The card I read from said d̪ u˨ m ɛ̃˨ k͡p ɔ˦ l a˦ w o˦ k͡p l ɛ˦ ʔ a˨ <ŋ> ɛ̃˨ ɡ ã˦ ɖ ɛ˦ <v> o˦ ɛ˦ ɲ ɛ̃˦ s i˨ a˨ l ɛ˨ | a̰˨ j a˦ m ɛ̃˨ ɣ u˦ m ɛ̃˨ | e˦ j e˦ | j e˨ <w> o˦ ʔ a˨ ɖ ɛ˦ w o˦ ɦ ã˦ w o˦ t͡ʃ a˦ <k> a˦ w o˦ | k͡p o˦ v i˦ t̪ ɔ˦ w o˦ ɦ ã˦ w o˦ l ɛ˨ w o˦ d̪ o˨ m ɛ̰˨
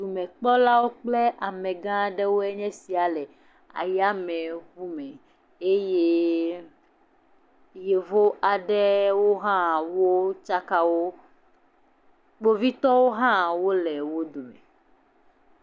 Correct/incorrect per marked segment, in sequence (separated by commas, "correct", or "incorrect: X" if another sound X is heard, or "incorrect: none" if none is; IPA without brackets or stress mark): incorrect: m, incorrect: w, incorrect: v, correct